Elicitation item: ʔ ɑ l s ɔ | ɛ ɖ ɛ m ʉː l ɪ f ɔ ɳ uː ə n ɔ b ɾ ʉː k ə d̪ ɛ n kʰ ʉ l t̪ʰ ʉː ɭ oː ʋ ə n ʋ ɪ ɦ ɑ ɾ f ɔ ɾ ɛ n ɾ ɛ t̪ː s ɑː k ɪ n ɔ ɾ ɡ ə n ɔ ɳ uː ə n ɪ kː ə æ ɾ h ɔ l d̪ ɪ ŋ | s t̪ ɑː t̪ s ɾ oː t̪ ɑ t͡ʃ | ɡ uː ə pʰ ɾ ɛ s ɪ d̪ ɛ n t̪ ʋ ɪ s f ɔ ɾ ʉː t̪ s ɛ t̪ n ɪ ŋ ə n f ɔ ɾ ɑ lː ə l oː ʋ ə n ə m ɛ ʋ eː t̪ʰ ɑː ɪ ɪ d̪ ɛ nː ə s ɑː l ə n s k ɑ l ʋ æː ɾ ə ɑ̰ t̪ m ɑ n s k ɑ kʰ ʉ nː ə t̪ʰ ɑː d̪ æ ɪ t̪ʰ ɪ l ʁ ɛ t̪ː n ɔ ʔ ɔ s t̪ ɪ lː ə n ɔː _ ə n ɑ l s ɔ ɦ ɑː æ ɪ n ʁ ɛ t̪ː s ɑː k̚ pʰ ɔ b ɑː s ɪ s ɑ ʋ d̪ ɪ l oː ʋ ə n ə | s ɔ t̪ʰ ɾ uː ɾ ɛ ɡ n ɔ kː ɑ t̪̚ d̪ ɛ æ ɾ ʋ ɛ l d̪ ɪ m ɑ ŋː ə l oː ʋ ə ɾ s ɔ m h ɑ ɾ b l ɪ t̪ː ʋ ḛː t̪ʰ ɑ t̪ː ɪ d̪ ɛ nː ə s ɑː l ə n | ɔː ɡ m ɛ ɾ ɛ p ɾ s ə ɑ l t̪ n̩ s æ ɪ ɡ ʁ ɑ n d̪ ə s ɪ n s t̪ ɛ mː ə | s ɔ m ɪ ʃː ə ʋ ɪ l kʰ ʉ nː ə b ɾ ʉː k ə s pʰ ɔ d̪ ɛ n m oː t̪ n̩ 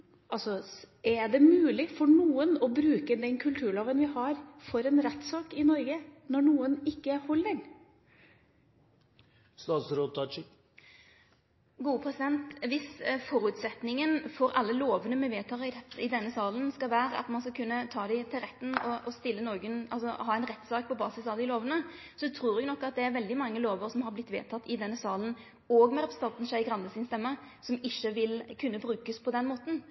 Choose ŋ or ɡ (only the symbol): ɡ